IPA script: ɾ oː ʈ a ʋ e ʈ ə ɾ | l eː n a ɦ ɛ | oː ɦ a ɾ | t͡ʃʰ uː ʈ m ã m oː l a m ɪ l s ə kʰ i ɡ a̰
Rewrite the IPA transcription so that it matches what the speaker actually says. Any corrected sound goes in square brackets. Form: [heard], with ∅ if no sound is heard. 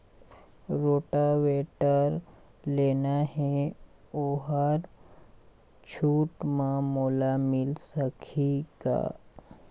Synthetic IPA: ɾ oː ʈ a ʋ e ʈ ə ɾ | l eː n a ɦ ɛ | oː ɦ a ɾ | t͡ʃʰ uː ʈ m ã m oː l a m ɪ l s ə kʰ i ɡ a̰

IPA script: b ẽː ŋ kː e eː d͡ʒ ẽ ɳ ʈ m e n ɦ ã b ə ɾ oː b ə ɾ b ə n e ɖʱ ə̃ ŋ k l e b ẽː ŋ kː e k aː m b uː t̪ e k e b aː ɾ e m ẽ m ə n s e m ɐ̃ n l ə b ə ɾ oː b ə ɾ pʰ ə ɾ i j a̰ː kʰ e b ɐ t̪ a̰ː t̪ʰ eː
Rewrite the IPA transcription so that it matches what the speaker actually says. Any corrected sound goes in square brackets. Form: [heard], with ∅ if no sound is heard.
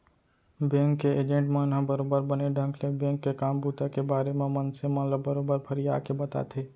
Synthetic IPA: b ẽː ŋ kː e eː d͡ʒ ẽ ɳ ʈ m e n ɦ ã b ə ɾ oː b ə ɾ b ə n e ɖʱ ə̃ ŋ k l e b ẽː ŋ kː e k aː m b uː t̪ [a] k e b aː ɾ e m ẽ m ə n s e m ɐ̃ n l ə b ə ɾ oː b ə ɾ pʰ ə ɾ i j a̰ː [k] e b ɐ t̪ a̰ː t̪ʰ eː

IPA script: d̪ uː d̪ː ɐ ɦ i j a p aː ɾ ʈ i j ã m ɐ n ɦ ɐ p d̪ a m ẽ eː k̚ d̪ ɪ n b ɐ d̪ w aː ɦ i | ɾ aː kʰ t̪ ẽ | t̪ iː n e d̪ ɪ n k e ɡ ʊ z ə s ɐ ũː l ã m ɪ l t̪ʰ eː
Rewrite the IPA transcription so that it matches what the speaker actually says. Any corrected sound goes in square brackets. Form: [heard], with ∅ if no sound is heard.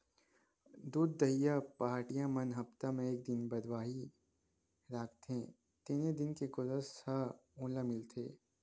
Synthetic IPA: d̪ uː d̪ː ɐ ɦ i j a p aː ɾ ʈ i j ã m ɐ n ɦ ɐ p [t̪] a m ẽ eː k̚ d̪ ɪ n b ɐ d̪ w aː ɦ i | ɾ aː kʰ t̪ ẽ | t̪ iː n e d̪ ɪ n k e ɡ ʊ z ə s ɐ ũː l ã m ɪ l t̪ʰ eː

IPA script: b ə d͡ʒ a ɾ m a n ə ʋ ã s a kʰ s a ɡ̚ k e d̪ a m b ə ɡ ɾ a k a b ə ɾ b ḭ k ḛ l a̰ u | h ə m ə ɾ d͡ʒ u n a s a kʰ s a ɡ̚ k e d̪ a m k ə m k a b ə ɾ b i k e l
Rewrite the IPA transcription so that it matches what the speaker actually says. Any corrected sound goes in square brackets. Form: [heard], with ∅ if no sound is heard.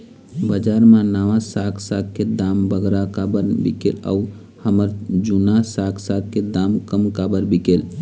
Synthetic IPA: b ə d͡ʒ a ɾ m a n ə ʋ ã s a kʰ s a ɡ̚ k e d̪ a m b ə ɡ ɾ a k a b ə ɾ b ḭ k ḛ l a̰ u | h ə m ə ɾ d͡ʒ u n a s a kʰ s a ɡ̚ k e d̪ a m k ə m k a b ə ɾ b i k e l

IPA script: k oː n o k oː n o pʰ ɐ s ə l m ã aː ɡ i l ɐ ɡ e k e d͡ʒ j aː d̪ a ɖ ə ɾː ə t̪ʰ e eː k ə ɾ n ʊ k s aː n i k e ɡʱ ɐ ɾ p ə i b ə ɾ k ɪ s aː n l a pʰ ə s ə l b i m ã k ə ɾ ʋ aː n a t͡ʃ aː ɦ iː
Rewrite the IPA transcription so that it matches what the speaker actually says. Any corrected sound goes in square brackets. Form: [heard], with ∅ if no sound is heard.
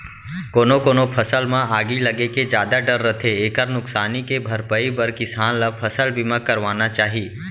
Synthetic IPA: k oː n o k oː n o pʰ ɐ s ə l m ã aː ɡ i l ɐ ɡ e k e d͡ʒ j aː d̪ a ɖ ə ɾː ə t̪ʰ e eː k ə ɾ n ʊ k s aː n i k e [bʱ] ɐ ɾ p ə i b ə ɾ k ɪ s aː n l a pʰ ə s ə l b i m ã k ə ɾ ʋ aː n a t͡ʃ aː ɦ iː

